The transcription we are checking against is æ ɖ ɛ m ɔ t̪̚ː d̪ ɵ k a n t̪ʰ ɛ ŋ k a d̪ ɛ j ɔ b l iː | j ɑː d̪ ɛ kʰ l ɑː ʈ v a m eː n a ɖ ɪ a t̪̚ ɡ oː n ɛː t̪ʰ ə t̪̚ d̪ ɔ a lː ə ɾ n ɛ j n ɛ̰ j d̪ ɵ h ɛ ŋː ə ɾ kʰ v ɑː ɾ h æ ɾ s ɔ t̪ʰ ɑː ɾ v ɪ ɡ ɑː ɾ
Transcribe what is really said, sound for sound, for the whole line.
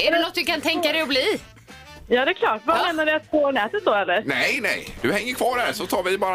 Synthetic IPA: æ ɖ ɛ n ɔ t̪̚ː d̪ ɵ k a n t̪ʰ ɛ ŋ k a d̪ ɛ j ɔ b l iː | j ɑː d̪ ɛ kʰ l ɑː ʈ v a m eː n a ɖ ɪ a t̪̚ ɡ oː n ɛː t̪ ə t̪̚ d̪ ɔ ɛ lː ə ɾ n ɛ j n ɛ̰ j d̪ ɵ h ɛ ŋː ə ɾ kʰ v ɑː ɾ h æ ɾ s ɔ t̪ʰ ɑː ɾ v ɪ b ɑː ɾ